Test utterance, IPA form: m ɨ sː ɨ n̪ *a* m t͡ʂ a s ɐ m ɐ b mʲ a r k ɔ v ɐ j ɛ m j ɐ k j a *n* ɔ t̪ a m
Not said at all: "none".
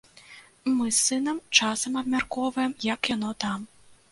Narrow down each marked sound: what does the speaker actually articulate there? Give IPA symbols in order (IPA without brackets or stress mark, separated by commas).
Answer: ɐ, n